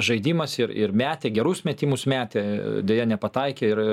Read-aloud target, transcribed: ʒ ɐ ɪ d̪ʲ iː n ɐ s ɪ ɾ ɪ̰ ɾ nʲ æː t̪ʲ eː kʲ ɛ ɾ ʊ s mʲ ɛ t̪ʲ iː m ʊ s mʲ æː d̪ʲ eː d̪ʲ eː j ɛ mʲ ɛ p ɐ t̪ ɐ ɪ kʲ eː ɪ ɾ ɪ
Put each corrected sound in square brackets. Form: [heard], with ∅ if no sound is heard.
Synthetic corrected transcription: ʒ ɐ ɪ d̪ʲ iː [m] ɐ s ɪ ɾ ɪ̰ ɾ [mʲ] æː t̪ʲ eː [ɡʲ] ɛ ɾ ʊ s mʲ ɛ t̪ʲ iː m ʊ s mʲ æː [t̪ʲ] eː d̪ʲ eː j ɛ [nʲ] ɛ p ɐ t̪ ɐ ɪ kʲ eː ɪ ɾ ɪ

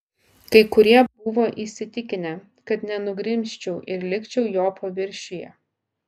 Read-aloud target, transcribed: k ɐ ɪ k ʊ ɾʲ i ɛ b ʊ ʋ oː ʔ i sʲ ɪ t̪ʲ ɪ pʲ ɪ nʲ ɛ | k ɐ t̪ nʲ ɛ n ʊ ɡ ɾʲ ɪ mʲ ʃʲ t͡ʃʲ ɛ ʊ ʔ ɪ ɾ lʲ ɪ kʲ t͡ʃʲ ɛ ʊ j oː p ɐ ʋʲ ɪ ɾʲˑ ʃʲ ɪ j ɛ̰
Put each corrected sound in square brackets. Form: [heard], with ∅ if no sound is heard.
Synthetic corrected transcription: k ɐ ɪ k ʊ ɾʲ i ɛ b ʊ ʋ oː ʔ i sʲ ɪ t̪ʲ ɪ [kʲ] ɪ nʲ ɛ | k ɐ t̪ nʲ ɛ n ʊ ɡ ɾʲ ɪ mʲ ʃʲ t͡ʃʲ ɛ ʊ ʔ ɪ ɾ lʲ ɪ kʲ t͡ʃʲ ɛ ʊ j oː p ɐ ʋʲ ɪ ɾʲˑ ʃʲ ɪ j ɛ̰

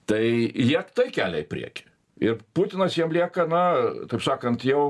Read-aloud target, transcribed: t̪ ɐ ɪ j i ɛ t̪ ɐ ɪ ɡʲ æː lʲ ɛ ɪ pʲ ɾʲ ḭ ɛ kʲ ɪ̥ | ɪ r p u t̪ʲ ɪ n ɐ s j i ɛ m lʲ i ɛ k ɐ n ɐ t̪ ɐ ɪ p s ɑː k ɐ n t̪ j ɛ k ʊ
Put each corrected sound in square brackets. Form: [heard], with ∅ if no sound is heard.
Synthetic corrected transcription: t̪ ɐ ɪ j i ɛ t̪ ɐ ɪ [kʲ] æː lʲ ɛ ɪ pʲ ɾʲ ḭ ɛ kʲ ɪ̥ | ɪ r p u t̪ʲ ɪ n ɐ s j i ɛ m lʲ i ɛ k ɐ n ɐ t̪ ɐ ɪ p s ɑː k ɐ n t̪ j ɛ [∅] ʊ

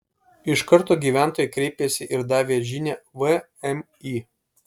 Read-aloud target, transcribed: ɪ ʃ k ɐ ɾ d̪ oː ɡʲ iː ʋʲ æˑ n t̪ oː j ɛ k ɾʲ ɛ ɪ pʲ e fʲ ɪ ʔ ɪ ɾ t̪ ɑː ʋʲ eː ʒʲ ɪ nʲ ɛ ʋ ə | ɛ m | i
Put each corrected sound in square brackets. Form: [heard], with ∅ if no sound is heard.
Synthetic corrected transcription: ɪ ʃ k ɐ ɾ [t̪] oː ɡʲ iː ʋʲ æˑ n t̪ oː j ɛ k ɾʲ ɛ ɪ pʲ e [sʲ] ɪ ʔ ɪ ɾ [d̪] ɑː ʋʲ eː ʒʲ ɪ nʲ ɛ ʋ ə | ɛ m | i

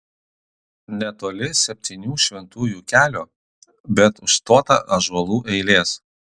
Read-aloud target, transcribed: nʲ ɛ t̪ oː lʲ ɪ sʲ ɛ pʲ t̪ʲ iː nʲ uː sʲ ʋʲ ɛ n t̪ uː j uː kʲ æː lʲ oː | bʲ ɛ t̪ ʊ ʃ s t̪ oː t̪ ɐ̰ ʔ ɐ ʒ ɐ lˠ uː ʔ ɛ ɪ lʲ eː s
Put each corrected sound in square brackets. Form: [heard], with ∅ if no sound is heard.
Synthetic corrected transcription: nʲ ɛ t̪ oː lʲ ɪ sʲ ɛ pʲ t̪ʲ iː nʲ uː [ʃʲ] ʋʲ ɛ n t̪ uː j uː kʲ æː lʲ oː | bʲ ɛ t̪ ʊ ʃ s t̪ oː t̪ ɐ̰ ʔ ɐ ʒ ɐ lˠ uː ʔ ɛ ɪ lʲ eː s

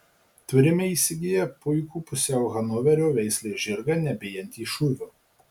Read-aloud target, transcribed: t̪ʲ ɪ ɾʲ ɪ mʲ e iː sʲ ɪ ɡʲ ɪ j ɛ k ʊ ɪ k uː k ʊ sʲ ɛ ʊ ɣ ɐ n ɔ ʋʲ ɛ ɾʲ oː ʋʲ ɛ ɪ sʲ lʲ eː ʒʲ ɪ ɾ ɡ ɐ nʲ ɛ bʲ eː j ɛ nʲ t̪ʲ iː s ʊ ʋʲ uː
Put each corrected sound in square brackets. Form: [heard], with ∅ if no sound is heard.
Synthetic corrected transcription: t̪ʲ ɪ ɾʲ ɪ mʲ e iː sʲ ɪ ɡʲ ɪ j ɛ [p] ʊ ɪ k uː [p] ʊ sʲ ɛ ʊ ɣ ɐ n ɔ ʋʲ ɛ ɾʲ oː ʋʲ ɛ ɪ sʲ lʲ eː ʒʲ ɪ ɾ ɡ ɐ nʲ ɛ bʲ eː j ɛ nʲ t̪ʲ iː [ʃ] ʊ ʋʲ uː

